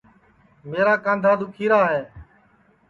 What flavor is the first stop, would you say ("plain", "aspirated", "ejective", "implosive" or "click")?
plain